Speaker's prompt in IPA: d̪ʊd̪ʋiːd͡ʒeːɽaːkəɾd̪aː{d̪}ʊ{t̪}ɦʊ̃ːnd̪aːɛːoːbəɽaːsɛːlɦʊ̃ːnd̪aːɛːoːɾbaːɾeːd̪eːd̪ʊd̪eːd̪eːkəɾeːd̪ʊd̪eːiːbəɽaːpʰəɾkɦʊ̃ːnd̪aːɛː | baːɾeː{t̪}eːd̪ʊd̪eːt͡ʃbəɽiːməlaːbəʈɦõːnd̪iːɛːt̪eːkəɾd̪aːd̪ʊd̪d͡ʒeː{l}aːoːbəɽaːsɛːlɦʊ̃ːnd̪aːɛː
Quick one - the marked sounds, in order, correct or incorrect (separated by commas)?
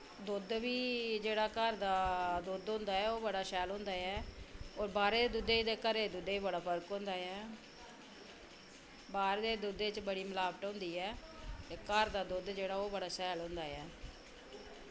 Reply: correct, incorrect, incorrect, incorrect